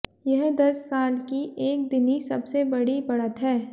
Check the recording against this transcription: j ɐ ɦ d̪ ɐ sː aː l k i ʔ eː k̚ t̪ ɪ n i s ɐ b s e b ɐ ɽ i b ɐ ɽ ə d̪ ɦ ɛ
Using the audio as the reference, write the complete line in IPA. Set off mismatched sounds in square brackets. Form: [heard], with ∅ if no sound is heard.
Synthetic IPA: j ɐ ɦ d̪ ɐ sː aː l k i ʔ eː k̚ [d̪] ɪ n i s ɐ b s e b ɐ ɽ i b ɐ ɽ ə [t̪] ɦ [ɛː]

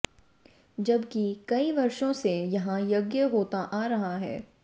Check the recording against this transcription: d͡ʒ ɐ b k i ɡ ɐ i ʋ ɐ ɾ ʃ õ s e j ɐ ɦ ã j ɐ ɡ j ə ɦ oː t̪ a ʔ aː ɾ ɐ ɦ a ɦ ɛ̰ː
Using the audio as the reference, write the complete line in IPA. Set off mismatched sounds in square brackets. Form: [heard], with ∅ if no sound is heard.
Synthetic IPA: d͡ʒ ɐ b k i [k] ɐ i ʋ ɐ ɾ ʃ õ s e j ɐ ɦ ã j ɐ ɡ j ə ɦ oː t̪ a ʔ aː ɾ ɐ ɦ a ɦ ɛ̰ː

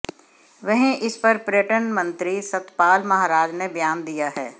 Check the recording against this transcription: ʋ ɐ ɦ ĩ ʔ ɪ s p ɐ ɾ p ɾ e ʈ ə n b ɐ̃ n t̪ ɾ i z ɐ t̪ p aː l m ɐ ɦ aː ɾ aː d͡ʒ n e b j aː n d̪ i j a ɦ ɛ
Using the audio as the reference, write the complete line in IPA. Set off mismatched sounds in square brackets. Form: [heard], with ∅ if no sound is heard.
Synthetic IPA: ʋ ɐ ɦ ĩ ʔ ɪ s p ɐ ɾ p ɾ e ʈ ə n [m] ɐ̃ n t̪ ɾ i [s] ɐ t̪ p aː l m ɐ ɦ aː ɾ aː d͡ʒ n e b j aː n d̪ i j a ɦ [ɛː]

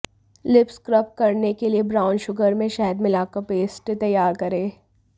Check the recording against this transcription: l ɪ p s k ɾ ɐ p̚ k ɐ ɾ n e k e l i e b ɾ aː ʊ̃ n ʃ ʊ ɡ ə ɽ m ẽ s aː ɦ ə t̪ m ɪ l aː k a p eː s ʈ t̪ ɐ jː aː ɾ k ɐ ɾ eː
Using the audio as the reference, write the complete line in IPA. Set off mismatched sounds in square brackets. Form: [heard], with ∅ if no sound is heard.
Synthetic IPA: l ɪ p s k ɾ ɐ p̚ k ɐ ɾ n e k e l i e b ɾ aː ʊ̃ n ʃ ʊ ɡ ə [ɾ] m ẽ [ʃ] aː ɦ ə [d̪] m ɪ l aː k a p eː s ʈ t̪ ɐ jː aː ɾ k ɐ ɾ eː

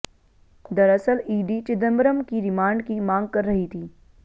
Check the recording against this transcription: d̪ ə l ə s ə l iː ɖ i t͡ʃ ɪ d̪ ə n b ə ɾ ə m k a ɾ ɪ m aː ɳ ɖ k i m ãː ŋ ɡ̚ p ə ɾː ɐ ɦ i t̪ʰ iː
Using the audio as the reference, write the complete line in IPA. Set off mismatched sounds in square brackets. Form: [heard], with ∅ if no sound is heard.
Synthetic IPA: d̪ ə [ɾ] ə s ə l iː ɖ i t͡ʃ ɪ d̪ ə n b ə ɾ ə m k [i] ɾ ɪ m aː ɳ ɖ k i m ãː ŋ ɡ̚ [k] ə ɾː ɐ ɦ i t̪ʰ iː

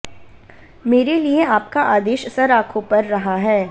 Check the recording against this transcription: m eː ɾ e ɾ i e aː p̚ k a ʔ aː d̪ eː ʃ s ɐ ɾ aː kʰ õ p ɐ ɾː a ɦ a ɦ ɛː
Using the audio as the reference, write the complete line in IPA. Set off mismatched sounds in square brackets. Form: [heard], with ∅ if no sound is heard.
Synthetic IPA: m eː ɾ e [l] i e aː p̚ k a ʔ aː d̪ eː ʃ s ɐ ɾ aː kʰ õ p ɐ ɾː [ɐ] ɦ a ɦ ɛː

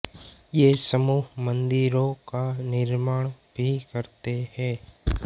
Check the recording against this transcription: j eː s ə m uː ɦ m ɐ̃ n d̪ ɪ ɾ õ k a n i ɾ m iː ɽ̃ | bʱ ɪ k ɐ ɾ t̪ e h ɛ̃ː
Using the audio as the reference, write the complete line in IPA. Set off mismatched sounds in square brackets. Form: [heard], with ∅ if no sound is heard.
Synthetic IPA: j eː s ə m uː ɦ m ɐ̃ n d̪ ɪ ɾ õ k a n [ɪ] ɾ m [aː] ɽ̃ | bʱ [i] k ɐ ɾ t̪ e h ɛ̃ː

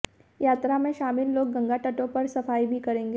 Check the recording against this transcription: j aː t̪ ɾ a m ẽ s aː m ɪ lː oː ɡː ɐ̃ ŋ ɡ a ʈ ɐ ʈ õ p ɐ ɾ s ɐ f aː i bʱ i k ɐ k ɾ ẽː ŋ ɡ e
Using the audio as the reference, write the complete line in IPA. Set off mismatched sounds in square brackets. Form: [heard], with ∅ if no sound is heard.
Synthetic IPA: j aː t̪ ɾ a m ẽ [ʃ] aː m ɪ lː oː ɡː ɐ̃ ŋ ɡ a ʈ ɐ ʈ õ p ɐ ɾ s ɐ f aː i bʱ i k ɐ [∅] ɾ ẽː ŋ ɡ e

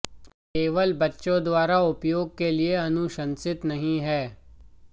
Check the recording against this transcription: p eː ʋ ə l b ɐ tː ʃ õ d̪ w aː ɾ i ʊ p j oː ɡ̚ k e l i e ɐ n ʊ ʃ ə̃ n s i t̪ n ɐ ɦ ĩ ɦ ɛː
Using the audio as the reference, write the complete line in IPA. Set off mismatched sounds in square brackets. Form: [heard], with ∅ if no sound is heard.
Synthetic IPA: [k] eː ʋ ə l b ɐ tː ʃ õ d̪ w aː ɾ [a] ʊ p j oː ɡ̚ k e l i e ɐ n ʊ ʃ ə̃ n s [ɪ] t̪ n ɐ ɦ ĩ ɦ ɛː

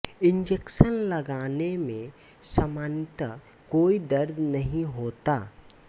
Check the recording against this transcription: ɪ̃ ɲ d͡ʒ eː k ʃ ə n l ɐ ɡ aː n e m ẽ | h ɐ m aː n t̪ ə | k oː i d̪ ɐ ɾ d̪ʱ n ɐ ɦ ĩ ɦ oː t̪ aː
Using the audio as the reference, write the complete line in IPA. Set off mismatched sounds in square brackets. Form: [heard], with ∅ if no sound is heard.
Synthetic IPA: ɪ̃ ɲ d͡ʒ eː k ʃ ə n l ɐ ɡ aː n e m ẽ | [s] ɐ m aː n t̪ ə | k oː i d̪ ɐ ɾ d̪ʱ n ɐ ɦ ĩ ɦ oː t̪ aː

